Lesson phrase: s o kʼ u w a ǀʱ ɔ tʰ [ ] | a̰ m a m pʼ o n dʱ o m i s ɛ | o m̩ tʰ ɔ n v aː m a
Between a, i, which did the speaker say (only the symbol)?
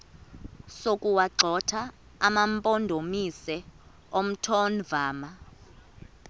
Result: a